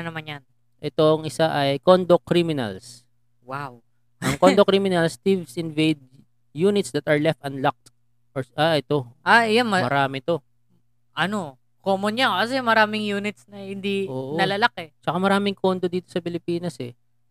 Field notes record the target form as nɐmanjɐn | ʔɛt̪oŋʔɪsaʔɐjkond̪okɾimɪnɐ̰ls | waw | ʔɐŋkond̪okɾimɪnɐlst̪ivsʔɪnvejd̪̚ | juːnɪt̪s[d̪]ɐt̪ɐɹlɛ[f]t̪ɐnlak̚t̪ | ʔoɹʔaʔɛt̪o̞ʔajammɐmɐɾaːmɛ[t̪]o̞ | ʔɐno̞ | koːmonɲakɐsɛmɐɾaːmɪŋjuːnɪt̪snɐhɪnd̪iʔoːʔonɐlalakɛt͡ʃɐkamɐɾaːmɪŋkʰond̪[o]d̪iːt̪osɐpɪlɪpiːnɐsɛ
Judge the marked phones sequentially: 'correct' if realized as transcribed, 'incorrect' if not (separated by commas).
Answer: correct, correct, correct, correct